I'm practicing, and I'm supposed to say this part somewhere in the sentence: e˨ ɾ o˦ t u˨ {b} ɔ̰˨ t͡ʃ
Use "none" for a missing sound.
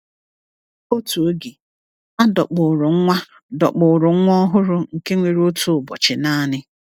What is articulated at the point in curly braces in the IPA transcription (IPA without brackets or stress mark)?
b